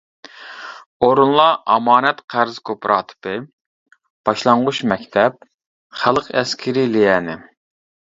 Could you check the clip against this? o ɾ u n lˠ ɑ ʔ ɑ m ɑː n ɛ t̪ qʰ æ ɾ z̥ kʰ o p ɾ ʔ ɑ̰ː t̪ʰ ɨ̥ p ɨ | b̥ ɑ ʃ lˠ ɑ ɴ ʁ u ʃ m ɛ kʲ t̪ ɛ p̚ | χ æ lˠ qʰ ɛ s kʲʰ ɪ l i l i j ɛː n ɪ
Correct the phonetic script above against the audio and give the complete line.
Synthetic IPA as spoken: o ɾ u n lˠ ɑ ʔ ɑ m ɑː n ɛ t̪ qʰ æ ɾ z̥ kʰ o p ɾ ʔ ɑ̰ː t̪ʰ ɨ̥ p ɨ | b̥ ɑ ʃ lˠ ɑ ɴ ʁ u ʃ m ɛ kʲ t̪ʰ ɛ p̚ | χ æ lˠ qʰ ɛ s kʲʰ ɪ ɾ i l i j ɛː n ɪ